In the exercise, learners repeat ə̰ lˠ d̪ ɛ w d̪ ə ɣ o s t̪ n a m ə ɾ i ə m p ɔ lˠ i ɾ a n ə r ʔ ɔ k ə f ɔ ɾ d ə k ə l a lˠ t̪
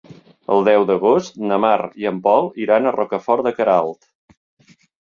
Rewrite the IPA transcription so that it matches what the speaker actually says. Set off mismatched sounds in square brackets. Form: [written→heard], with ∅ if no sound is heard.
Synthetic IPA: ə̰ lˠ d̪ ɛ w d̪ ə ɣ o s t̪ n [a→ə] m [ə→a] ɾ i ə m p ɔ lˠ i ɾ a n ə r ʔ ɔ k ə f ɔ ɾ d ə k ə [l→ɾ] a lˠ t̪